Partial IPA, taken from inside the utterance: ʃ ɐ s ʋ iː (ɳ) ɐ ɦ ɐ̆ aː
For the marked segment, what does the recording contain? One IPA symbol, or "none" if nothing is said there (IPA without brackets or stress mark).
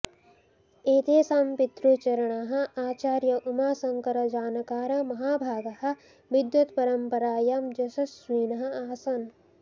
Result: n